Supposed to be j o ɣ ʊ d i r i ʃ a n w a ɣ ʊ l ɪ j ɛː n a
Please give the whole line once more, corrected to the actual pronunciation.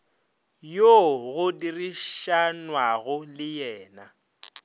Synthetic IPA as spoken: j o ɣ ʊ d i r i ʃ a n w a ɣ ʊ l ɪ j ɛː n a